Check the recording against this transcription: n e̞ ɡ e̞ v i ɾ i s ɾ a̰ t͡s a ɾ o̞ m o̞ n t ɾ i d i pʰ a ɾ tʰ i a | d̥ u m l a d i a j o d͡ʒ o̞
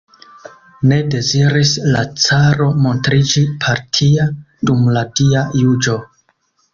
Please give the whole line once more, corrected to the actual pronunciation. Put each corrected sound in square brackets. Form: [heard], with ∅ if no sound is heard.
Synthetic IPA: n e̞ [d] e̞ [z] i ɾ i s [l] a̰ t͡s a ɾ o̞ m o̞ n t ɾ i [d͡ʒ] i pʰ a ɾ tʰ i a | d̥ u m l a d i a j [u] d͡ʒ o̞